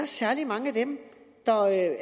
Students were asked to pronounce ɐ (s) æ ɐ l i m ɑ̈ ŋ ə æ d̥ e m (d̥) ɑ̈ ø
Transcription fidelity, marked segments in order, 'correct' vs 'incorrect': correct, correct

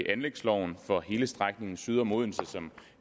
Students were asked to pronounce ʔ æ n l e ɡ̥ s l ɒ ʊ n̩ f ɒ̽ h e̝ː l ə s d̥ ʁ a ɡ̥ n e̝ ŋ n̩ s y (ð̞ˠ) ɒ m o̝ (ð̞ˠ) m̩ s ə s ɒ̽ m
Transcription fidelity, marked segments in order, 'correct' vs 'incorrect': correct, correct

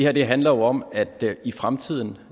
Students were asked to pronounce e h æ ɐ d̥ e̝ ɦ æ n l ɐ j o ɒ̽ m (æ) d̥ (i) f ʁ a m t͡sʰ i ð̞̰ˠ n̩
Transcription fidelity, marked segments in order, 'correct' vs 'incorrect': correct, correct

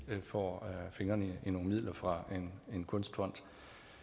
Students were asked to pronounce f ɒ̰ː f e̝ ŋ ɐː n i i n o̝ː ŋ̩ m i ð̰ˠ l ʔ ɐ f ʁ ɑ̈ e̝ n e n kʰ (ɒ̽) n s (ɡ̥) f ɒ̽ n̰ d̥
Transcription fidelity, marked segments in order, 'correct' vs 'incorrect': incorrect: ɔ̽, incorrect: d̥

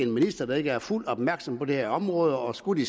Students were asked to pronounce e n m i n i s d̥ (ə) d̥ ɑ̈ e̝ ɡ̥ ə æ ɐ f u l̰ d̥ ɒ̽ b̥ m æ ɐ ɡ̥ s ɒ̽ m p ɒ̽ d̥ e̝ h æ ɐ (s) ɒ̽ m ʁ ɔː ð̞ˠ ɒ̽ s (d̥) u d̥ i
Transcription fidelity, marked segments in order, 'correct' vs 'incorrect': incorrect: ɐ, incorrect: none, incorrect: ɡ̥

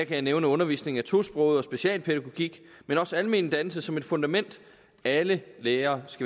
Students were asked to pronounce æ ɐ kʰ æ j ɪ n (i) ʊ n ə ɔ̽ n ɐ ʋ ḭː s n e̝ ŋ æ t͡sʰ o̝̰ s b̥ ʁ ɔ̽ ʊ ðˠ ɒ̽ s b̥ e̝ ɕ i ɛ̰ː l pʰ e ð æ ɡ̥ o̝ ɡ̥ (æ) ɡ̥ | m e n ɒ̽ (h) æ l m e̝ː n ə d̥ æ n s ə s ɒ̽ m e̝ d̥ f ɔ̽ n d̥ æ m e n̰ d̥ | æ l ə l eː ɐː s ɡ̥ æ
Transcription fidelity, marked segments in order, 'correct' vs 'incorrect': incorrect: e, incorrect: i, incorrect: s

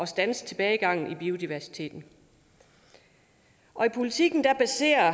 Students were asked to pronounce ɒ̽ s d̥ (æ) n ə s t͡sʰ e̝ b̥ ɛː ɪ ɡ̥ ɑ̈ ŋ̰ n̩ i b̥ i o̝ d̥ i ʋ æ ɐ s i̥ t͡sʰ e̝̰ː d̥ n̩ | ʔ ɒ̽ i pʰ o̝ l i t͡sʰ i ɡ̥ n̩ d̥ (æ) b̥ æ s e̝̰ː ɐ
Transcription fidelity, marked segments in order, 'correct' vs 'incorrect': correct, correct

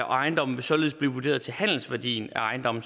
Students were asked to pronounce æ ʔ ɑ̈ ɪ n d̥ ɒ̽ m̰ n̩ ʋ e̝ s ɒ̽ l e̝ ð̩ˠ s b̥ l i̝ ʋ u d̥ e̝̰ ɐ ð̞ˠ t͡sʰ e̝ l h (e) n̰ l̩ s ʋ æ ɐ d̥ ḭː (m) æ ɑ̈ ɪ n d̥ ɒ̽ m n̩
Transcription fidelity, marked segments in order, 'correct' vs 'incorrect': incorrect: æ, incorrect: n

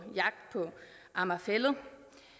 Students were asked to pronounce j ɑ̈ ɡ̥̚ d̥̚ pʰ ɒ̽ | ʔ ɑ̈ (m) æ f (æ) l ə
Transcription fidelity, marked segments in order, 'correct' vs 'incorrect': correct, incorrect: e

